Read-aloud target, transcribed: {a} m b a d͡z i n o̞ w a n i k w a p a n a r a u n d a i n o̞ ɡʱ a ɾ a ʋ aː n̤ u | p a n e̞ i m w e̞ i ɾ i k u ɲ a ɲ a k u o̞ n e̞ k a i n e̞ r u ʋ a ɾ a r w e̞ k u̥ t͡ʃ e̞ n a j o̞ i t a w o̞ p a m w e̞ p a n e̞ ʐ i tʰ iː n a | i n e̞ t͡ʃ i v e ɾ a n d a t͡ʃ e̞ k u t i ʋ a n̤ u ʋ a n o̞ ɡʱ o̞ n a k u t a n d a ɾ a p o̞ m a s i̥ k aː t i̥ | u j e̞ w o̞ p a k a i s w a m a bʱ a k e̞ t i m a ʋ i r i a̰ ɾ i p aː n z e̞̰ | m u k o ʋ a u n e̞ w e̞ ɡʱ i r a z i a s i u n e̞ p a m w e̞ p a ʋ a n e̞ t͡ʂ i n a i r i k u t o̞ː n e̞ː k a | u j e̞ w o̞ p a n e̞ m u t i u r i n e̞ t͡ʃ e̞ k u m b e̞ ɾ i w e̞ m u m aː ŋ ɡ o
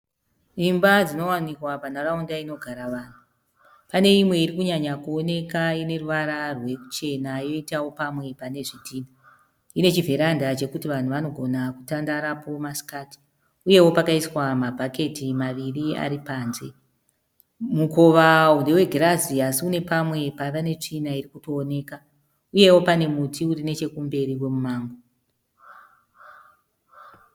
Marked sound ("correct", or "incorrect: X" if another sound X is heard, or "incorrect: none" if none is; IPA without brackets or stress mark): incorrect: i